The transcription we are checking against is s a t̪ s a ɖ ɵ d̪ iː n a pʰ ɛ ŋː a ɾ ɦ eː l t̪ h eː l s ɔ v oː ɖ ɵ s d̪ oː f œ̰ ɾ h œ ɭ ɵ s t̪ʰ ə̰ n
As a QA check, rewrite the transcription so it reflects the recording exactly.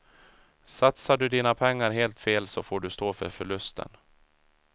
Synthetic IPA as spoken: s a t̪ s a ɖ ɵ d̪ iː n a pʰ ɛ ŋː a ɾ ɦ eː l t̪ f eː l s ɔ f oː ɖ ɵ s t̪ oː f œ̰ ɾ f œ ɭ ɵ s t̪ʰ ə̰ n